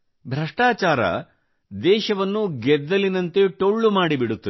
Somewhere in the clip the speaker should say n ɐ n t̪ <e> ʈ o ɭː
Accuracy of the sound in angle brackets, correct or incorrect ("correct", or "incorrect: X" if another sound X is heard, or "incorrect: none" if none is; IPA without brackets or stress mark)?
correct